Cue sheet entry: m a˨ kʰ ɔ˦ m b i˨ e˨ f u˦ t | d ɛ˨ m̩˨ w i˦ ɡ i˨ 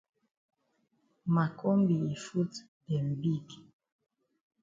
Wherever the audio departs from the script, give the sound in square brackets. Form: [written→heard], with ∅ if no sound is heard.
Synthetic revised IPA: m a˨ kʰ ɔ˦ m b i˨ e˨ f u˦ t | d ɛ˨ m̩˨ [w→b] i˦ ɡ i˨